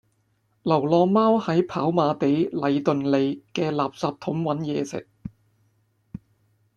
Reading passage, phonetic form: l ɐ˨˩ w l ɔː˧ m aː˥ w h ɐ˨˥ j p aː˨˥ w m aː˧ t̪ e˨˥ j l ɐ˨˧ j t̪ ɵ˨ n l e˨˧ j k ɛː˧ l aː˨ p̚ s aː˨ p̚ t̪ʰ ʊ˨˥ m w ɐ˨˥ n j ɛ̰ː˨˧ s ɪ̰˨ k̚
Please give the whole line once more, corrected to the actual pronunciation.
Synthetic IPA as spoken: l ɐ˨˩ w l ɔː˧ m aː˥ w h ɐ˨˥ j pʰ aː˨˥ w m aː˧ t̪ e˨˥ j l ɐ˨˧ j t̪ ɵ˨ n l e˨˧ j k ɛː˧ l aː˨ p̚ s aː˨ p̚ t̪ʰ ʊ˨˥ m w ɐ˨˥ n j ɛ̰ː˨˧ s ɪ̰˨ k̚